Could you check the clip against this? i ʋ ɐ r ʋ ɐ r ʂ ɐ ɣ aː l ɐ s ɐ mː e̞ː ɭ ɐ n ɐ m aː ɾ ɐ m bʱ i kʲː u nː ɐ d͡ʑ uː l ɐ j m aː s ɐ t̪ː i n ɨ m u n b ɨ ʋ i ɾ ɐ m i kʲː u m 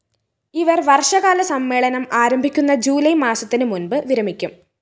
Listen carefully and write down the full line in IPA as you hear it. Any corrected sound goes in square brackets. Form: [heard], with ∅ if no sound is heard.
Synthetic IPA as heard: i ʋ ɐ r ʋ ɐ r ʂ ɐ ɣ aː l ɐ s ɐ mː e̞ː ɭ ɐ n ɐ m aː ɾ ɐ m bʱ i kʲː u nː ɐ d͡ʑ uː l ɐ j m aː s ɐ t̪ː i n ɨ m u n b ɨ ʋ i ɾ ɐ m i kʲː u m